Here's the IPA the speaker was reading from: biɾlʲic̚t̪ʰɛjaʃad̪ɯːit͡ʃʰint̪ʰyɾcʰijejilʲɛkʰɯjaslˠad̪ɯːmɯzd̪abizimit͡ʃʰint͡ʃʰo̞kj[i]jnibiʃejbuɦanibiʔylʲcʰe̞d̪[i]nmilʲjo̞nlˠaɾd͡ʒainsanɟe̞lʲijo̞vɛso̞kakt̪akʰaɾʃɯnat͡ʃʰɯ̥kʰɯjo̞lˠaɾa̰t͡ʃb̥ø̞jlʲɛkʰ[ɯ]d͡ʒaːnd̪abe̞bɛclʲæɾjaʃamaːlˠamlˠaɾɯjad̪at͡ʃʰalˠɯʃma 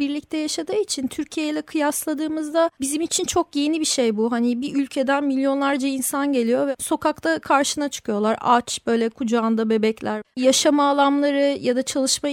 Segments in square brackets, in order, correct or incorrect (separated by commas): incorrect, incorrect, incorrect